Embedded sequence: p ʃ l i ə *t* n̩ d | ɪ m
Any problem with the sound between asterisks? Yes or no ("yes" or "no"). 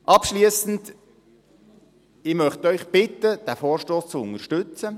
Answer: yes